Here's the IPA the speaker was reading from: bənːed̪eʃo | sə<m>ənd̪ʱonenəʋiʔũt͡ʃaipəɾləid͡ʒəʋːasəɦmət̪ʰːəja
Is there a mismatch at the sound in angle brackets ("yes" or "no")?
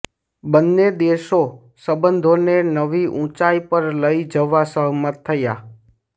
yes